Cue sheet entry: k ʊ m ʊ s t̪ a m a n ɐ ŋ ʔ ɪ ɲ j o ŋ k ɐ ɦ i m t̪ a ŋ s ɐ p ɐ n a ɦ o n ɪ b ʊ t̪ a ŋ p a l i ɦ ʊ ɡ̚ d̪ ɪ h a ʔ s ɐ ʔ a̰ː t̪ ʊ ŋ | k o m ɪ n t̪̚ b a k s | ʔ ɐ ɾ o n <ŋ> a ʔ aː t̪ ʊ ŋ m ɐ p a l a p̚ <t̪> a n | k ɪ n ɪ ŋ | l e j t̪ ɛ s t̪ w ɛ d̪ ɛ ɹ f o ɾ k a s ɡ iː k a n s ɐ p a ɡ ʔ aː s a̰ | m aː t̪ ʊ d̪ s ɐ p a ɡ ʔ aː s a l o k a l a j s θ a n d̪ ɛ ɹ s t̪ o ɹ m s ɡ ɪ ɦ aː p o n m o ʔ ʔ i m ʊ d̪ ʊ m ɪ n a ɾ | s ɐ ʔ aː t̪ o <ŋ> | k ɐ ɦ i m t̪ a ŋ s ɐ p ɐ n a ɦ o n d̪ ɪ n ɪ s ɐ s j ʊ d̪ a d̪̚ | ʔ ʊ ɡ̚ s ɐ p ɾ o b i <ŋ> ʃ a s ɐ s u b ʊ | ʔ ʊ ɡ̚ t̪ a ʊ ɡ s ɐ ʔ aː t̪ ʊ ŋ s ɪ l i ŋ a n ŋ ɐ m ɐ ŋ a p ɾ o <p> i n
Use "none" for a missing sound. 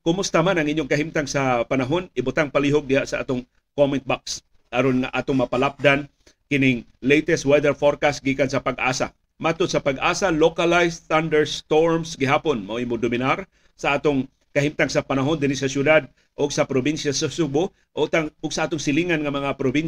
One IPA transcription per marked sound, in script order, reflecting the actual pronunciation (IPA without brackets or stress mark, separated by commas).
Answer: ŋ, d̪, ŋ, n, b